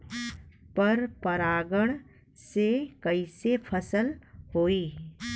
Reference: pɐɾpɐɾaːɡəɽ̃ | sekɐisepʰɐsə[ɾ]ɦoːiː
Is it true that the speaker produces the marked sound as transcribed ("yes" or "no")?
no